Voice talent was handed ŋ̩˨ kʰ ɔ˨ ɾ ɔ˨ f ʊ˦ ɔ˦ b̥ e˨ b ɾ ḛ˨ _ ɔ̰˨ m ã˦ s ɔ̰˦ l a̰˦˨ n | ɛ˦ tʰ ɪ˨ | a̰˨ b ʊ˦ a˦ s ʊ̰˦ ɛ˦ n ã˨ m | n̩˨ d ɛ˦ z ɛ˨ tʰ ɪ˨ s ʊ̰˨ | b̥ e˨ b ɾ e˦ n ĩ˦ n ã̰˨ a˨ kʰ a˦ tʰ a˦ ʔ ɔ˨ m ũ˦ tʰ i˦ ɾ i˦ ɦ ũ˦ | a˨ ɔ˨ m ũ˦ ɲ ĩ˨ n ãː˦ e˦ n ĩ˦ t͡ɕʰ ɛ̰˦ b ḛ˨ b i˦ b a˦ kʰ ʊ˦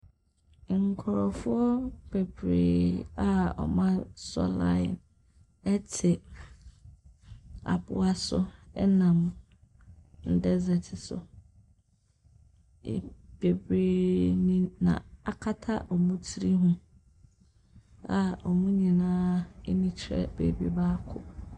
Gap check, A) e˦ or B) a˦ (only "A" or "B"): B